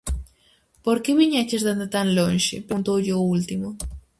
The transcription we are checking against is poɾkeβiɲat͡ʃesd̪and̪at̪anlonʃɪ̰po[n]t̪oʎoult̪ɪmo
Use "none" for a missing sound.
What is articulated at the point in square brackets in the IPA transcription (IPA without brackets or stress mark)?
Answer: n